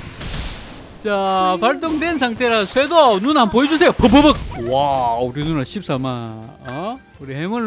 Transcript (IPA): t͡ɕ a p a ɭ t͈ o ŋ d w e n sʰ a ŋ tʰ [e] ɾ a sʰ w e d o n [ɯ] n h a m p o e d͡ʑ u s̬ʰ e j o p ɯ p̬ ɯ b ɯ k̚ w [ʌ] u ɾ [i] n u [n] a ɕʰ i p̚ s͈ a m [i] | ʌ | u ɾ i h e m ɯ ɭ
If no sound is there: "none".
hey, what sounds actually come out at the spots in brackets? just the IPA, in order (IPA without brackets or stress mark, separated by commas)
e, u, a, i, n, a